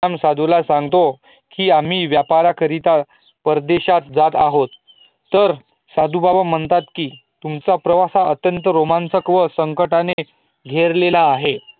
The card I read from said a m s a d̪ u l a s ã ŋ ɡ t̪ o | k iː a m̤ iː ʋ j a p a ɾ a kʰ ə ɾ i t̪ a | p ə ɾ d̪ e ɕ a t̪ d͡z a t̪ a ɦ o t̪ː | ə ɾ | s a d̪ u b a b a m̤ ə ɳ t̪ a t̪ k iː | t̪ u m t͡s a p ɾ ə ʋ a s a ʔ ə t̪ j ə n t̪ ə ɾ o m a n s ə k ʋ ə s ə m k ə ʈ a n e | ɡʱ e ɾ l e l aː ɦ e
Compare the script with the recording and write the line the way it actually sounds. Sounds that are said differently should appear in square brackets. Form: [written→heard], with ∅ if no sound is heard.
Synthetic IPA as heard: a m s a d̪ u l a s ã ŋ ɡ t̪ o | k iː a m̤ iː ʋ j a p a ɾ a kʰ ə ɾ i t̪ a | p ə ɾ d̪ e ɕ a t̪ d͡z a t̪ a ɦ o t̪ː | ə ɾ | s a d̪ u b a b a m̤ ə ɳ t̪ a t̪ k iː | t̪ u m t͡s a p ɾ ə ʋ a s a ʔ ə t̪ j ə n t̪ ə ɾ o m a n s ə k ʋ ə s ə [m→ŋ] k ə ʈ a n e | ɡʱ e ɾ l e l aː ɦ e